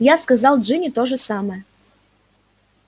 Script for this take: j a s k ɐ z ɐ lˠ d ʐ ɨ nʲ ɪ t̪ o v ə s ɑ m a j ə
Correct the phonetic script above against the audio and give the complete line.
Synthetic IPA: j a s k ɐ z ɑ lˠ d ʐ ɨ nʲ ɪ t̪ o ʐ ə s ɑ m ə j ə